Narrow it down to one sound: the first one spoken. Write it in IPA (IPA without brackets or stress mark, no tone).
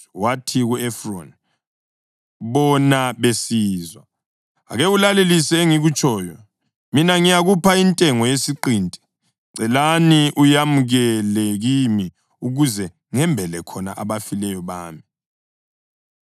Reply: w